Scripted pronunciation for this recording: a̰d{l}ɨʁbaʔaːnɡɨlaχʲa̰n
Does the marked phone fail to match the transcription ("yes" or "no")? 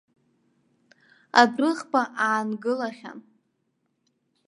yes